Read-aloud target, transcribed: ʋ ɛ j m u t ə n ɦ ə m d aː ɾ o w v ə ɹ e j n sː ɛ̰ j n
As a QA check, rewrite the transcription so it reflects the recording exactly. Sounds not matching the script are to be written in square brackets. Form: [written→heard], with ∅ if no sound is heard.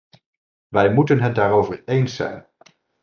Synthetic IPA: ʋ ɛ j m u t ə n ɦ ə [m→n] d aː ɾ o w v ə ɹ e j n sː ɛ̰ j n

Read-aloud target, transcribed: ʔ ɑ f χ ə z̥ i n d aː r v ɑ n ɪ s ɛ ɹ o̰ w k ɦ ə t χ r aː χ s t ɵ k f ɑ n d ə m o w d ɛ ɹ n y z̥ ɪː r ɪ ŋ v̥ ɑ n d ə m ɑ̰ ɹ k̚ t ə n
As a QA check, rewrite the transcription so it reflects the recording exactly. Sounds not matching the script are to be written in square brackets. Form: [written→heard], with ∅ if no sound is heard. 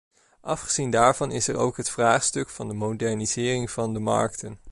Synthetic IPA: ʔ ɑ f χ ə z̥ i n d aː [r→ɹ] v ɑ n ɪ s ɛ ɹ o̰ w k ɦ ə t [χ→f] r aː χ s t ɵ k f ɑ n d ə m o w d ɛ ɹ n [y→i] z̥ ɪː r ɪ ŋ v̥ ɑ n d ə m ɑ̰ ɹ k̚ t ə n

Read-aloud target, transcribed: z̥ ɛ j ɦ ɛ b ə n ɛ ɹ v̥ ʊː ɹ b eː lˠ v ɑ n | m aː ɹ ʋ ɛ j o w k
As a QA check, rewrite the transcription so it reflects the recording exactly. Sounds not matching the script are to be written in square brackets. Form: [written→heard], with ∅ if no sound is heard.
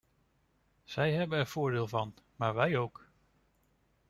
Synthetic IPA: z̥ ɛ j ɦ ɛ b ə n ɛ ɹ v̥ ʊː ɹ [b→d] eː lˠ v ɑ n | m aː ɹ ʋ ɛ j o w k

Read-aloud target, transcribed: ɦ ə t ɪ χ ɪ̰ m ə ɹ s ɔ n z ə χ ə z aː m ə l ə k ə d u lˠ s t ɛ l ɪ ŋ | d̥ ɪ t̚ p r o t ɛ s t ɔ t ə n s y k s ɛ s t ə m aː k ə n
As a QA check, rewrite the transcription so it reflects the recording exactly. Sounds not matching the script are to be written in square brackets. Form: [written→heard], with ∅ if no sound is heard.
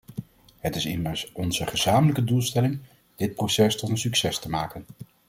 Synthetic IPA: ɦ ə t ɪ [χ→s] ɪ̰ m ə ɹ s ɔ n z ə χ ə z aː m ə l ə k ə d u lˠ s t ɛ l ɪ ŋ | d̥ ɪ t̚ p r o [t→s] ɛ s t ɔ t ə n s y k s ɛ s t ə m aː k ə n

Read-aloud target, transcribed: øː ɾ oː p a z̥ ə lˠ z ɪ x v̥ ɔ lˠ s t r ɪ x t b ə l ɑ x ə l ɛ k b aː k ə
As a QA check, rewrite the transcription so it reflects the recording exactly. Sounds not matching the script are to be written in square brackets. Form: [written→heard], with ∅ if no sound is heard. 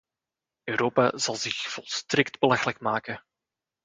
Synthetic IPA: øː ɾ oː p a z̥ [ə→ɑ] lˠ z ɪ x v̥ ɔ lˠ s t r ɪ [x→k] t b ə l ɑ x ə l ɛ k [b→m] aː k ə

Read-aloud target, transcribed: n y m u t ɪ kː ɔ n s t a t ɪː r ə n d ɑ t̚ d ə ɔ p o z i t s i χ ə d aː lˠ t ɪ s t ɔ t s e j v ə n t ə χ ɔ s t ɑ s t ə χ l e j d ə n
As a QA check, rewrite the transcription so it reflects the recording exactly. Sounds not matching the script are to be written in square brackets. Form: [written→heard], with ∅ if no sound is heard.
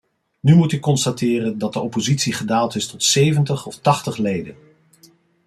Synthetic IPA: n y m u t ɪ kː ɔ n s t a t ɪː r ə n d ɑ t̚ d ə ɔ p o z i t s i χ ə d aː lˠ t ɪ s t ɔ t s e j v ə n t ə χ ɔ [s→f] t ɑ [s→χ] t ə χ l e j d ə n

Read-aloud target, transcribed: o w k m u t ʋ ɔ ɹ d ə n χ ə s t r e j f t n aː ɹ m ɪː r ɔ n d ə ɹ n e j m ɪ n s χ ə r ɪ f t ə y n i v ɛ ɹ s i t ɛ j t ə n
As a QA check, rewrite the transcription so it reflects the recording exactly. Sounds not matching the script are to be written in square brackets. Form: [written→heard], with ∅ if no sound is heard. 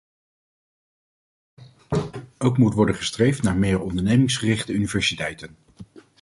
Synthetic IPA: o w k m u t ʋ ɔ ɹ d ə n χ ə s t r e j f t n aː ɹ m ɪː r ɔ n d ə ɹ n e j m ɪ [n→ŋ] s χ ə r ɪ [f→χ] t ə y n i v ɛ ɹ s i t ɛ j t ə n

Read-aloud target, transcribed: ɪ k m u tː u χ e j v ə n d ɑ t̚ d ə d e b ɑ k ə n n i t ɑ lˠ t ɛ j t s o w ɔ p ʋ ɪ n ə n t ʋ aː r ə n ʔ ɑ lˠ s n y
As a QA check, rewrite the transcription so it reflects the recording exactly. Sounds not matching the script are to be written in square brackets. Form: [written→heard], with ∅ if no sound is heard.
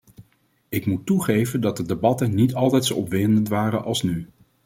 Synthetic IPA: ɪ k m u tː u χ e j v ə n d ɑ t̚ d ə d e b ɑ [k→t] ə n n i t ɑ lˠ t ɛ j t s o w ɔ p ʋ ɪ n ə n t ʋ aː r ə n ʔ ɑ lˠ s n y

